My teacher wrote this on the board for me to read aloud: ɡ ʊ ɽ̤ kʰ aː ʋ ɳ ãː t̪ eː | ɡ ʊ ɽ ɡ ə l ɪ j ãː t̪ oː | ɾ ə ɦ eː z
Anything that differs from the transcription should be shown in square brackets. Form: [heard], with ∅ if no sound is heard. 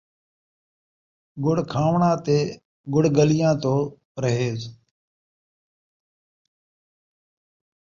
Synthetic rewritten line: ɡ ʊ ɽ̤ kʰ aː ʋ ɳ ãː t̪ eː | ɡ ʊ ɽ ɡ ə l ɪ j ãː t̪ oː | ɾ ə ɦ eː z

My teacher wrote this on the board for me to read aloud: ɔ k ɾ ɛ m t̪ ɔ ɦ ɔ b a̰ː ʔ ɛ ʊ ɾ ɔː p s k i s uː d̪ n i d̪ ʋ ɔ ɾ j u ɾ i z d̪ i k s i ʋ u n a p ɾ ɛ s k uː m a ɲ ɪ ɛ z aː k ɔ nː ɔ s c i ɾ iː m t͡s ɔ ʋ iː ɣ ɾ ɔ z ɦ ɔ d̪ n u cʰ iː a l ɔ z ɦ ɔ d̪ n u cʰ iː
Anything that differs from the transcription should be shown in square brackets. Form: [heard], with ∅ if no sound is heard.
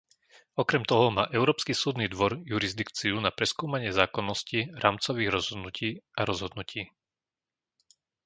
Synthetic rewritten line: ɔ k ɾ ɛ m t̪ ɔ ɦ ɔ [m] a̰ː ʔ ɛ ʊ ɾ ɔː p s k i s uː d̪ n i d̪ ʋ ɔ ɾ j u ɾ i z d̪ i k [t͡s] i [∅] u n a p ɾ ɛ s k uː m a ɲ ɪ ɛ z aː k ɔ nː ɔ s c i ɾ [aː] m t͡s ɔ ʋ iː ɣ ɾ ɔ z ɦ ɔ d̪ n u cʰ iː a [ɾ] ɔ z ɦ ɔ d̪ n u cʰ iː

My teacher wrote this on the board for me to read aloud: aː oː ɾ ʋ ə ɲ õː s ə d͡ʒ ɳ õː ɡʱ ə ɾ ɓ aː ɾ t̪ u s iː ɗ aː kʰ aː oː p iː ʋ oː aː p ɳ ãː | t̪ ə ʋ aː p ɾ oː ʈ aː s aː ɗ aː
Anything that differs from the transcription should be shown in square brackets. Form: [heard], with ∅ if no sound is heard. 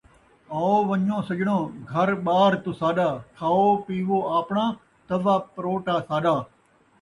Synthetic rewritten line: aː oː [∅] ʋ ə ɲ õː s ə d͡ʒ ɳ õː ɡʱ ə ɾ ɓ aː ɾ t̪ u s [aː] ɗ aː kʰ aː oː p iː ʋ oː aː p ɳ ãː | t̪ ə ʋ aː p ɾ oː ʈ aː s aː ɗ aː

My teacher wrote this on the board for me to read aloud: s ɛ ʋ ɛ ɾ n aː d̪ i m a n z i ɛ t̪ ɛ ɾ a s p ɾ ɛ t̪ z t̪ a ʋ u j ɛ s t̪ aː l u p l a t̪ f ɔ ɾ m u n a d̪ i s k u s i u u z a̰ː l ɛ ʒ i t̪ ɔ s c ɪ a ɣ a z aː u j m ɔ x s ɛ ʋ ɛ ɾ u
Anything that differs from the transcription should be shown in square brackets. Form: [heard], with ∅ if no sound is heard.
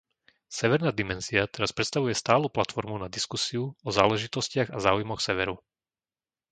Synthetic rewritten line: s ɛ ʋ ɛ ɾ n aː d̪ i m [ɛ] n z i [a] t̪ ɛ ɾ a s p ɾ ɛ t̪ [s] t̪ a ʋ u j ɛ s t̪ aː l u p l a t̪ f ɔ ɾ m u n a d̪ i s k u s i u [ɔ] z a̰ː l ɛ ʒ i t̪ ɔ s c ɪ a ɣ a z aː u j m ɔ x s ɛ ʋ ɛ ɾ u

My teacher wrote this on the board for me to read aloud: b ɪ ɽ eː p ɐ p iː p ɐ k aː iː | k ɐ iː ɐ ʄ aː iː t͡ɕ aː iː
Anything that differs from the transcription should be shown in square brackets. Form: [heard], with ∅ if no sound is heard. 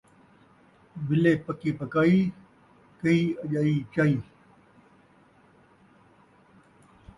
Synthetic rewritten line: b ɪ [l] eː p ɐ [k] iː p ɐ k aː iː | k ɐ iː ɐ ʄ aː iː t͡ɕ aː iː

